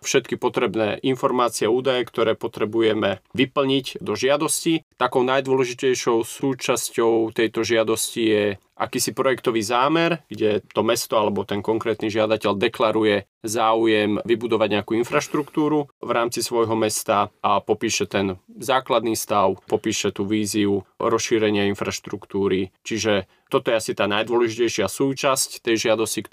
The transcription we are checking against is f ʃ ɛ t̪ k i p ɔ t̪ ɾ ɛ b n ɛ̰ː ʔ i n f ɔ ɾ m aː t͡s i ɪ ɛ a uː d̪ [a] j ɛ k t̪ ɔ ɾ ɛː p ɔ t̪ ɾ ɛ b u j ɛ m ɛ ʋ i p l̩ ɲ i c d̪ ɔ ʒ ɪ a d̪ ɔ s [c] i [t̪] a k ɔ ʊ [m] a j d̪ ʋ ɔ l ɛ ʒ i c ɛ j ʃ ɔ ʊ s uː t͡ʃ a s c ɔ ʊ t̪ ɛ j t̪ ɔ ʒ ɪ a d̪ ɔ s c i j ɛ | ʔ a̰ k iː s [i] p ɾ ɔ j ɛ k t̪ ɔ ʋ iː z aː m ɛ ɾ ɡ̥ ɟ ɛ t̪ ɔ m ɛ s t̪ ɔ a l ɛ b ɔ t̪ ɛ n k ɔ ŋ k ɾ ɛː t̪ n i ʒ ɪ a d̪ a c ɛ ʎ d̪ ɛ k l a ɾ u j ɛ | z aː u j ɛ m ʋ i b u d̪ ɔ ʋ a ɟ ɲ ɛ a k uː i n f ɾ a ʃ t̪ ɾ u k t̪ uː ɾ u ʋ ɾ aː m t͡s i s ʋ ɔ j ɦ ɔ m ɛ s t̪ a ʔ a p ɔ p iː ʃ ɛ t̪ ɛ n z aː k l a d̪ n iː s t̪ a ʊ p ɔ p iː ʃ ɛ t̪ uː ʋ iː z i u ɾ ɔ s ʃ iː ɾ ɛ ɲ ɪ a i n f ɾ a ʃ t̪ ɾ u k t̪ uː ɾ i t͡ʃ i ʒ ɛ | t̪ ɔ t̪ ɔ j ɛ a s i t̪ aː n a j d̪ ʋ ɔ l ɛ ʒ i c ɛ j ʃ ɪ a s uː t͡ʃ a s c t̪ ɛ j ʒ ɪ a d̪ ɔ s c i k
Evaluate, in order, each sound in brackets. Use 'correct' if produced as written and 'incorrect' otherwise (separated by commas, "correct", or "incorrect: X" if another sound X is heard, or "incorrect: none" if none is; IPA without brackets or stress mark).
correct, correct, correct, incorrect: n, correct